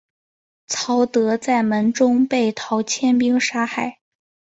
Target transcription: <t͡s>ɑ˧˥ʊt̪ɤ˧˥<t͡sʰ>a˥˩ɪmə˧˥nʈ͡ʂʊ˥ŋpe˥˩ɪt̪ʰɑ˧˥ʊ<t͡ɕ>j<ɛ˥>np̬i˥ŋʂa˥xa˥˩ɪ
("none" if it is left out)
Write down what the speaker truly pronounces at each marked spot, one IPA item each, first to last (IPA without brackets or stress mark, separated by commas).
t͡sʰ, t͡s, t͡ɕʰ, ɛ˥